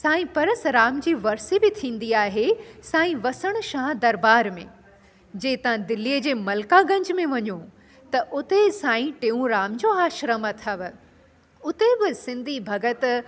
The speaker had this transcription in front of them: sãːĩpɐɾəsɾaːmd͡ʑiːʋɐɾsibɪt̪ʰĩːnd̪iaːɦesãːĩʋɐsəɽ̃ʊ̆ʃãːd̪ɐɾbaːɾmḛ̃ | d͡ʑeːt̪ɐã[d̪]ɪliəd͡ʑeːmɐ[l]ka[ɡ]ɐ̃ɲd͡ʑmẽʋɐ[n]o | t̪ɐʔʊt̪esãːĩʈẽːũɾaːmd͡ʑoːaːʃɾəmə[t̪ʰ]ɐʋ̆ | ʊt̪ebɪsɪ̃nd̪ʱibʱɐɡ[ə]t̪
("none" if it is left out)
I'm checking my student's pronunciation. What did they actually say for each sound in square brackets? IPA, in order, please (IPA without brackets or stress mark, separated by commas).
d̪, l, ɡ, ɲ, t̪ʰ, ə